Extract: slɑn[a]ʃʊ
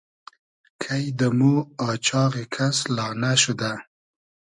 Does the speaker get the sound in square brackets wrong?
no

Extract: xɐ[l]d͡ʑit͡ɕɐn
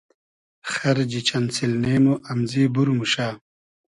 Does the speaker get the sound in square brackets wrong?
yes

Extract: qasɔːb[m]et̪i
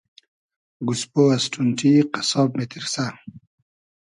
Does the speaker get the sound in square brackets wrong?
no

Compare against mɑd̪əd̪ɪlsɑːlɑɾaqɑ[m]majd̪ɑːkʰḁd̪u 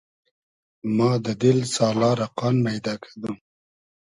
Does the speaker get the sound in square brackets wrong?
yes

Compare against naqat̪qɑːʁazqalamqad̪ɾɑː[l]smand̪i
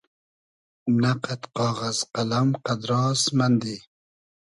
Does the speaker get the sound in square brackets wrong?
yes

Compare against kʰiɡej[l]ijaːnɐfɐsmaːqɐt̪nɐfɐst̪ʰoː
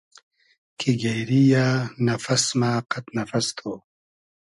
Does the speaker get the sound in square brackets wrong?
yes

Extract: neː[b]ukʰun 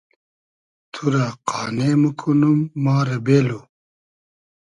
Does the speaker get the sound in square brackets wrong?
yes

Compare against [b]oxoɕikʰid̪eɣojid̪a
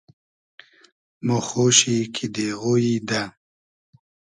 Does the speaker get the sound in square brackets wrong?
yes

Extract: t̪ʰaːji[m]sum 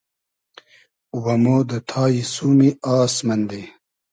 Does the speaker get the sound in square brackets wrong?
yes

